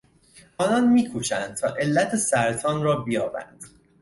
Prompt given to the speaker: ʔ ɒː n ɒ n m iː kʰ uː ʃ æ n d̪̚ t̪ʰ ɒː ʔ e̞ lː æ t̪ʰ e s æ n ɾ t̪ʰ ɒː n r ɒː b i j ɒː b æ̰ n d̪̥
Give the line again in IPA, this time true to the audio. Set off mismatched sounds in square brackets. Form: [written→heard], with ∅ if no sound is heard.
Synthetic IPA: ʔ ɒː n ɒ n m iː kʰ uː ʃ æ n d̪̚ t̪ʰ ɒː ʔ e̞ lː æ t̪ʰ e s æ [n→∅] ɾ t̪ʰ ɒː n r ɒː b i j ɒː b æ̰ n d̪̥